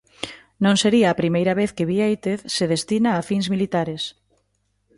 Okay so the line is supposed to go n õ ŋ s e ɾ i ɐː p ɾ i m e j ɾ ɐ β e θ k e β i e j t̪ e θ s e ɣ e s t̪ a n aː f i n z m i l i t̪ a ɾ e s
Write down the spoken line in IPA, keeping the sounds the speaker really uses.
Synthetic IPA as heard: n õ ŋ s e ɾ i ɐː p ɾ i m e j ɾ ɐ β e θ k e β i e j t̪ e θ s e ð e s t̪ i n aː f i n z m i l i t̪ a ɾ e s